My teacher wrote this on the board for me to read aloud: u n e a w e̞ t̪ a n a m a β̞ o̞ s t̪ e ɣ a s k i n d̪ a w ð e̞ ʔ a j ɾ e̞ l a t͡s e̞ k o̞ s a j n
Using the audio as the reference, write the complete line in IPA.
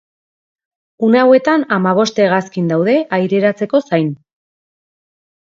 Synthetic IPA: u n e a w e̞ t̪ a n a m a β̞ o̞ s t̪ e ɣ a s k i n d̪ a w ð e̞ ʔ a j ɾ e̞ ɾ a t͡s e̞ k o̞ s a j n